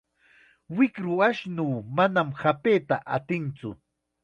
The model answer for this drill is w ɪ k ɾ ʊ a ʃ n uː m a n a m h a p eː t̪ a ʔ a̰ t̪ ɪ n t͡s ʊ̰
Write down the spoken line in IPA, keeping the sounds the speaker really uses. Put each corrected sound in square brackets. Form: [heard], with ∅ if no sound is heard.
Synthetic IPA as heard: w ɪ k ɾ ʊ a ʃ n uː m a n a m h a p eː t̪ a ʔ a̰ t̪ ɪ n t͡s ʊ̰